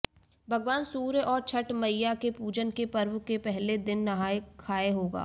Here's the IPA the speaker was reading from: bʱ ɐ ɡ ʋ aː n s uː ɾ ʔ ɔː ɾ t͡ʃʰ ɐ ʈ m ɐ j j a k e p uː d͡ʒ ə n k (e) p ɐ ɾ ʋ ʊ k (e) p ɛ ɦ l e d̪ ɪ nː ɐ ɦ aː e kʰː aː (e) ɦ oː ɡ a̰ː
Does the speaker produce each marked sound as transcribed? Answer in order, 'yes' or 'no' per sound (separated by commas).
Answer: yes, yes, yes